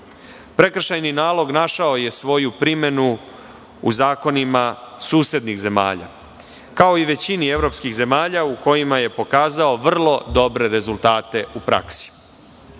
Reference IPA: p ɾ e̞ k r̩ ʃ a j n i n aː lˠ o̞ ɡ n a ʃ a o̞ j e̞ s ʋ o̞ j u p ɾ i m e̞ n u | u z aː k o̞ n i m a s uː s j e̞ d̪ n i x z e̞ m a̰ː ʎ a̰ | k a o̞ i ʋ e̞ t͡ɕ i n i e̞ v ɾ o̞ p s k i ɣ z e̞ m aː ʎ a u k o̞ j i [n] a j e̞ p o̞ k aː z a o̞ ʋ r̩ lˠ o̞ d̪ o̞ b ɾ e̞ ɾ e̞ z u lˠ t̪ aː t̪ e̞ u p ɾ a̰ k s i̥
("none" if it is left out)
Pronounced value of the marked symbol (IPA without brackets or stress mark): m